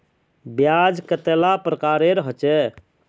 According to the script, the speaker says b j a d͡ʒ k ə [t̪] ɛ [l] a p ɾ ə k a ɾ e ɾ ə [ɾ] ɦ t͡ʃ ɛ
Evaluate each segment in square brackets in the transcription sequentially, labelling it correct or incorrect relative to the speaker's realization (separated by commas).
correct, correct, incorrect